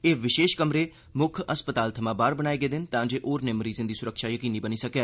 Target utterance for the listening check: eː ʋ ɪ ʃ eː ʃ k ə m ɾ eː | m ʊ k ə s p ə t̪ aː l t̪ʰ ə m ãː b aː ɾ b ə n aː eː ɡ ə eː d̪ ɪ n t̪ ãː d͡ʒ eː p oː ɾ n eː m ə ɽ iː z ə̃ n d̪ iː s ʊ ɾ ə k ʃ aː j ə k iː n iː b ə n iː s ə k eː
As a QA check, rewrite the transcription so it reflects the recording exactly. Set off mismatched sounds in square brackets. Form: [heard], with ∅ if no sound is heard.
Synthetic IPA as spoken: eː ʋ ɪ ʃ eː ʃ k ə m ɾ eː | m ʊ [kʰ] ə s p ə t̪ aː l t̪ʰ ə m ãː b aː ɾ b ə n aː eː ɡ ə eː d̪ ɪ n t̪ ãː d͡ʒ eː [ʔ] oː ɾ n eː m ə [ɾ] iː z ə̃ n d̪ iː s ʊ ɾ ə k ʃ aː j ə k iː n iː b ə n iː s ə k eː